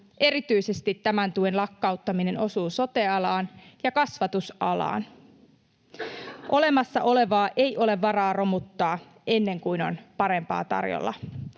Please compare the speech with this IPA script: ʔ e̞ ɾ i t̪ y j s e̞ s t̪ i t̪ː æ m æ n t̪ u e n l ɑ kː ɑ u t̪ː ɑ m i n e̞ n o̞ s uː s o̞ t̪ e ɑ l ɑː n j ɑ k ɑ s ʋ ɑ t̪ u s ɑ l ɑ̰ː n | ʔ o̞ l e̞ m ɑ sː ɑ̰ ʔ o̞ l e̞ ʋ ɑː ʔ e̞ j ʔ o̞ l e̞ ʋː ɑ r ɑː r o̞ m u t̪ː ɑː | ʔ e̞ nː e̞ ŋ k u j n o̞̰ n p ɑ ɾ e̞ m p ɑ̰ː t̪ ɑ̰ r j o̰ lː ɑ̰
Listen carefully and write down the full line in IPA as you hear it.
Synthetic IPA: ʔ e̞ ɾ i t̪ y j s e̞ s t̪ i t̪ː æ m æ n t̪ u e n l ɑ kː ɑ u t̪ː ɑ m i n e̞ n o̞ s uː s o̞ t̪ e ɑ l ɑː n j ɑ k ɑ s ʋ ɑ t̪ u s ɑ l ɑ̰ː n | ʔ o̞ l e̞ m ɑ sː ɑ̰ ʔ o̞ l e̞ ʋ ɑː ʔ e̞ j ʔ o̞ l e̞ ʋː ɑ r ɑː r o̞ m u t̪ː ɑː | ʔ e̞ nː e̞ ŋ k u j n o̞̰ n p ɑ ɾ e̞ m p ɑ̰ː t̪ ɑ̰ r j o̰ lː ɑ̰

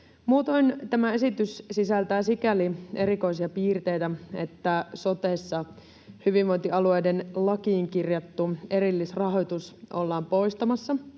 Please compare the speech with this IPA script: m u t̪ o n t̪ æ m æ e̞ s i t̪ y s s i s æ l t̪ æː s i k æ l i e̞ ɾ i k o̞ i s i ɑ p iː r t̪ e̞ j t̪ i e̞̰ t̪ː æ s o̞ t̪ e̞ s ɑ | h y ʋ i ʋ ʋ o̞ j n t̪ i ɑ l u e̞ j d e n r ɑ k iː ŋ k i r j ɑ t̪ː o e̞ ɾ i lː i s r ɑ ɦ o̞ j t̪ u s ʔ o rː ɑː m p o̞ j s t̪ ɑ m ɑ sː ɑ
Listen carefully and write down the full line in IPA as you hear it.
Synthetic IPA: m uː t̪ o n t̪ æ m æ e̞ s i t̪ y s s i s æ l t̪ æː s i k æ l i e̞ ɾ i k o̞ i s i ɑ p iː r t̪ e̞ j t̪ æ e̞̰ t̪ː æ s o̞ t̪ e̞ sː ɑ | h y ʋ i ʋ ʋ o̞ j n t̪ i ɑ l u e̞ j d e n l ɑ k iː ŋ k i r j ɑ t̪ː u e̞ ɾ i lː i s r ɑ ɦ o̞ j t̪ u s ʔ o lː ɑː m p o̞ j s t̪ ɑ m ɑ sː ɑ

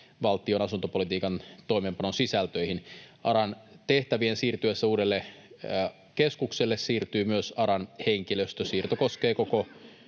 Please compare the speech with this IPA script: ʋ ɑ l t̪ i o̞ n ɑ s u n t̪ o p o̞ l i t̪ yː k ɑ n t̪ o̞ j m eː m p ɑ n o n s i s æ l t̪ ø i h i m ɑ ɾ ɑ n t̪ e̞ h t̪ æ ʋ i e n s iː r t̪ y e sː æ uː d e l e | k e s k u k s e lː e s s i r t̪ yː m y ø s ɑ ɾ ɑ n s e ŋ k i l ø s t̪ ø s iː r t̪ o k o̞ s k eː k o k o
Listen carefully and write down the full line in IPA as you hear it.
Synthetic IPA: ʋ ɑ l t̪ i o̞ n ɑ s u n t̪ o p o̞ l i t̪ iː k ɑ n t̪ o̞ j m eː m p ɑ n o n s i s æ l t̪ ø i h i n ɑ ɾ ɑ n t̪ e̞ h t̪ æ ʋ i e n s iː r t̪ y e sː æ uː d e lː e | k e s k u k s e lː e s s iː r t̪ yː m y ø s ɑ ɾ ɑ n h e ŋ k i l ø s t̪ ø s iː r t̪ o k o̞ s k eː k o k o

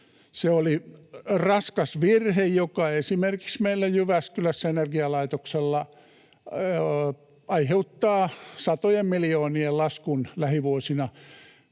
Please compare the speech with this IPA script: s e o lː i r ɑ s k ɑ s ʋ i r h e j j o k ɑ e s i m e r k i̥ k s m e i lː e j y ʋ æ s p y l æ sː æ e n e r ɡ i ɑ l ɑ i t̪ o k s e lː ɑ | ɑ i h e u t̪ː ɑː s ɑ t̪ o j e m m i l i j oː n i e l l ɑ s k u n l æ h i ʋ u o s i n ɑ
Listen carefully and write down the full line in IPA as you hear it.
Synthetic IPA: s e o l i r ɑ s k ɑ s ʋ i r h e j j o k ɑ e s i m e r k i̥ k s m e i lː æ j y ʋ æ s k y l æ sː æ e n e r ɡ i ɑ l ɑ i t̪ o k s e lː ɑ | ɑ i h e u t̪ː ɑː s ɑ t̪ o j e m m i l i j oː n i e l l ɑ s k u n l æ h i ʋ u o s i n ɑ

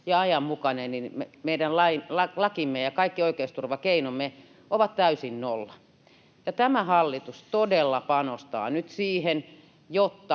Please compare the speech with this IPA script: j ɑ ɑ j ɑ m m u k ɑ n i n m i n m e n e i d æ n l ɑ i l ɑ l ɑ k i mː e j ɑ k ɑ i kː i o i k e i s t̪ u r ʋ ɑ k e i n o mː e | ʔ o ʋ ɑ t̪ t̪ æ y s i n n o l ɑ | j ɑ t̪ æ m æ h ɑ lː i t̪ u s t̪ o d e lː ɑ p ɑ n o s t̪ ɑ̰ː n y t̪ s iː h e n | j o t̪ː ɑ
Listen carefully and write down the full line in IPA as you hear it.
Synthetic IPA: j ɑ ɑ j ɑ m m u k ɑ n e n n i n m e m e i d æ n l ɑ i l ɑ l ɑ k i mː e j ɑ k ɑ i kː i o i k e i s t̪ u r ʋ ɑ k e i n o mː e | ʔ o ʋ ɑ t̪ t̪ æ y s i n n o lː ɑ | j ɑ t̪ æ m æ h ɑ lː i t̪ u s t̪ o d e lː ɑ p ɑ n o s t̪ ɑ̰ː n y t̪ s iː h e n | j o t̪ː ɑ

